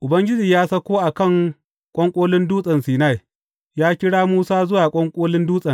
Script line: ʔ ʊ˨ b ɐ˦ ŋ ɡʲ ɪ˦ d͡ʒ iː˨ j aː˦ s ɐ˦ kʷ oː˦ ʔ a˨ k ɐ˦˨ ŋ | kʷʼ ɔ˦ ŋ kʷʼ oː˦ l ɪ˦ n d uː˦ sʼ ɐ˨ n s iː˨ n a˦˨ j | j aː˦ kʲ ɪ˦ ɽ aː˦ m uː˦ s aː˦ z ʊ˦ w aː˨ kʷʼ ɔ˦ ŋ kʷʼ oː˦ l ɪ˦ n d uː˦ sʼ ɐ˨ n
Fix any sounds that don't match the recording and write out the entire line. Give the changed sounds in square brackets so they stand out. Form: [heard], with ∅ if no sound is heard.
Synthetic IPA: ʔ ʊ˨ b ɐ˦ ŋ ɡʲ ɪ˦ d͡ʒ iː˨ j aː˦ s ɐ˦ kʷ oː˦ ʔ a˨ k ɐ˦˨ ŋ | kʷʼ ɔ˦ ŋ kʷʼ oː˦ l ɪ˦ n d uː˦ sʼ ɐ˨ n s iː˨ n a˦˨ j | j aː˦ kʲ ɪ˦ ɽ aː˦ m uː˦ s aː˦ z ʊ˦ w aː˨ kʷʼ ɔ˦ ŋ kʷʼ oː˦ l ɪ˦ n d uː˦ sʼ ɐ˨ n

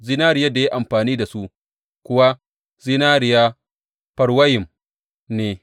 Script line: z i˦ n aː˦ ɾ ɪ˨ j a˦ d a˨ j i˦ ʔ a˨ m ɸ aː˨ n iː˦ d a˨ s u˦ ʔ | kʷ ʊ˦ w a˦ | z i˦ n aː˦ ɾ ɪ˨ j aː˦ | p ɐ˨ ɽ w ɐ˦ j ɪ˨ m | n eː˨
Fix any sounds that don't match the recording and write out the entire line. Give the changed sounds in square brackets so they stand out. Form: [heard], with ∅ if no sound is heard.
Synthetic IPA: z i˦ n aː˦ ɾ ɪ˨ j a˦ d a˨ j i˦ ʔ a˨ m ɸ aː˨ n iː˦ d a˨ s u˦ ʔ | kʷ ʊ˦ w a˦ | z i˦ n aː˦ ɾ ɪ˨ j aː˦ | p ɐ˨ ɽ w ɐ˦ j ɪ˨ m | n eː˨

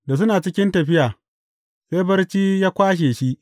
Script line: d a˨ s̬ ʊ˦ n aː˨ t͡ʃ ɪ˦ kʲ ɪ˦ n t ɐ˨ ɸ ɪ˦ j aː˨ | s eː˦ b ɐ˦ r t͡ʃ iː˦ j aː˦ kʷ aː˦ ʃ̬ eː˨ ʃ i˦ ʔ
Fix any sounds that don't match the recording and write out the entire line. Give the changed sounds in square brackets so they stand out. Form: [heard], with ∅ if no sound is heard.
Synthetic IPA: d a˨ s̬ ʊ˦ n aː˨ t͡ʃ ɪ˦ kʲ ɪ˦ n t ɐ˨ ɸ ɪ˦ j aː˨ | s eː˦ b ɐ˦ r t͡ʃ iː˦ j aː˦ kʷ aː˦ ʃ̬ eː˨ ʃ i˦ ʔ

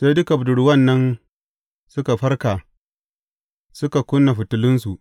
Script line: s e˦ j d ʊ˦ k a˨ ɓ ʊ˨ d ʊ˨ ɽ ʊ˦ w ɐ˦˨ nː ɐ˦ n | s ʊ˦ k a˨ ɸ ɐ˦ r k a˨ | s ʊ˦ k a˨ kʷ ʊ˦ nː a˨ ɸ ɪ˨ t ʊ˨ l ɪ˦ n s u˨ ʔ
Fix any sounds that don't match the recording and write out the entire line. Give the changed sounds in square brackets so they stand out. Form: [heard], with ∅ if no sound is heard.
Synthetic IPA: s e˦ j d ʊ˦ k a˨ [b] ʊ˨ d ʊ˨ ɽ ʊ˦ w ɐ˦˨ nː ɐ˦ n | s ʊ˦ k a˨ ɸ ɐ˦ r k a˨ | s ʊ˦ k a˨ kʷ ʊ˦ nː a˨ ɸ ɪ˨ t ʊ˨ l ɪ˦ n s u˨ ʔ

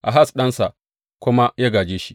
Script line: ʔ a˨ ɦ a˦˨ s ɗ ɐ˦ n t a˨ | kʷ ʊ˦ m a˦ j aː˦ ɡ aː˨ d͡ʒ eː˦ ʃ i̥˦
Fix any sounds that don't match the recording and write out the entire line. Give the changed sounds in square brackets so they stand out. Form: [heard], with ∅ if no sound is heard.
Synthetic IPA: ʔ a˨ ɦ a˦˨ s ɗ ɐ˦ n [s] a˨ | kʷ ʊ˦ m a˦ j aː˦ ɡ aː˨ d͡ʒ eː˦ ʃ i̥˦

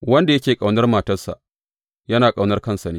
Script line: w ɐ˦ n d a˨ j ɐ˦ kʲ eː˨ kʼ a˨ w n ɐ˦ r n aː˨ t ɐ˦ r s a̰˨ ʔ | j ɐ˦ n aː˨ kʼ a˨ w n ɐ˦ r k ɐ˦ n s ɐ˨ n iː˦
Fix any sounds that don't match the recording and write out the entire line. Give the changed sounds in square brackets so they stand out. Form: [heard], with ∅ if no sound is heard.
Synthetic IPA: w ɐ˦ n d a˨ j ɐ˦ kʲ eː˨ kʼ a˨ w n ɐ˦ r [m] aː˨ t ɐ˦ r s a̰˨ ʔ | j ɐ˦ n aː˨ kʼ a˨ w n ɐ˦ r k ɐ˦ n s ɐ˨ n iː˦

